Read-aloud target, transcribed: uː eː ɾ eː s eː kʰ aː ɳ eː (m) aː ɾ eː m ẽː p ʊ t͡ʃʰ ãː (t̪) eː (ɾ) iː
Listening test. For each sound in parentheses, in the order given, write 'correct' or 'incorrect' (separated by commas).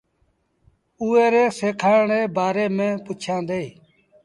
incorrect, incorrect, incorrect